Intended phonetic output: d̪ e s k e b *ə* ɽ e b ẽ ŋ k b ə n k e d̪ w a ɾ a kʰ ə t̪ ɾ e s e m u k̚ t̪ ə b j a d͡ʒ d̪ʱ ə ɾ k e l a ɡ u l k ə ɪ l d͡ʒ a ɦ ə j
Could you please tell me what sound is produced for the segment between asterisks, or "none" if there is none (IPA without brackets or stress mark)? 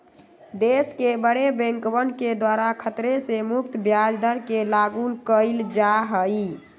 ə